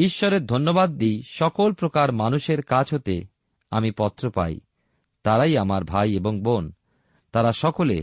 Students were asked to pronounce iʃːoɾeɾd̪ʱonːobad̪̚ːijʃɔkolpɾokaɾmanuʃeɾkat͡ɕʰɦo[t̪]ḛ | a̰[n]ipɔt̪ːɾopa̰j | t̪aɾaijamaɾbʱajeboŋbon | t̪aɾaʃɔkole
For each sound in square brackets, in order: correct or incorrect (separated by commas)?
correct, incorrect